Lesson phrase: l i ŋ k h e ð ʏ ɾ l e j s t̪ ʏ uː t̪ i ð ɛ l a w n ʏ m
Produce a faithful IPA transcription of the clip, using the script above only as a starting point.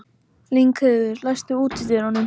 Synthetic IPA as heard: l i ŋ k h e ð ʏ ɾ l a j s t̪ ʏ uː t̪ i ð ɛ ɾ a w n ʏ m